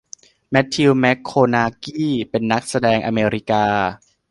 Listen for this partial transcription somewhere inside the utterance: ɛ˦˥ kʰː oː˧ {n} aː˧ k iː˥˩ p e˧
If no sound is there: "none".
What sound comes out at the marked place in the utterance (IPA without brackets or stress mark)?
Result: n